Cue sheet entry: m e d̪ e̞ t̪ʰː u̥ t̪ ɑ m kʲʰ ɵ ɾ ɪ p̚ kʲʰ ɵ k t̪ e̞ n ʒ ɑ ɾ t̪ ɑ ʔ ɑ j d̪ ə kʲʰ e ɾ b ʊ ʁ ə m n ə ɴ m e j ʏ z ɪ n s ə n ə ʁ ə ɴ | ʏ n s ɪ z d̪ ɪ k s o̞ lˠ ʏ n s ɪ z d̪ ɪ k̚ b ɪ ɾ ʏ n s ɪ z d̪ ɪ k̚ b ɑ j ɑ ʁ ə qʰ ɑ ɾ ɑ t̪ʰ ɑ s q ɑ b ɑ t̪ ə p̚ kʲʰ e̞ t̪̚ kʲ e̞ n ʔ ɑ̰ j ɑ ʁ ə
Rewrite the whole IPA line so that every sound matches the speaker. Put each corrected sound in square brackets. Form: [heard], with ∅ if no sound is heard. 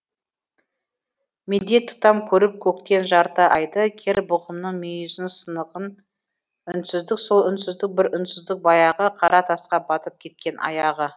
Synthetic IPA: m e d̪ e̞ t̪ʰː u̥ t̪ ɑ m kʲʰ ɵ ɾ ɪ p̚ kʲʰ ɵ k t̪ e̞ n ʒ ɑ ɾ t̪ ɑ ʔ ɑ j d̪ ə kʲʰ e ɾ b ʊ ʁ ə m n ə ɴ m e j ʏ z ɪ n s ə n ə ʁ ə [n] | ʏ n s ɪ z d̪ ɪ k s o̞ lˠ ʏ n s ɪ z d̪ ɪ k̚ b ɪ ɾ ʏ n s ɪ z d̪ ɪ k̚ b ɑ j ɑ ʁ ə qʰ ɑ ɾ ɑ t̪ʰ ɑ s q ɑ b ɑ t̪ ə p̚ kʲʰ e̞ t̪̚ kʲ e̞ n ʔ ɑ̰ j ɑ ʁ ə